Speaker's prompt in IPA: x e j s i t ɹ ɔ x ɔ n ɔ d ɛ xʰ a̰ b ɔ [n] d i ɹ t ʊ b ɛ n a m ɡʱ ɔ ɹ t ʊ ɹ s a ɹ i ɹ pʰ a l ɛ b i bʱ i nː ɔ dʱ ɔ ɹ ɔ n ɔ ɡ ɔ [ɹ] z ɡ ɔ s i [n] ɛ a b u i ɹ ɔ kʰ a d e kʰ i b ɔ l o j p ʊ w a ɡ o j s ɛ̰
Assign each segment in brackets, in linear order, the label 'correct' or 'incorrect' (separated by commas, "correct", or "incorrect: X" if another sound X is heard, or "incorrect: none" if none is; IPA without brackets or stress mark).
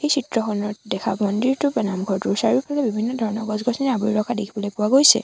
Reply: correct, incorrect: none, correct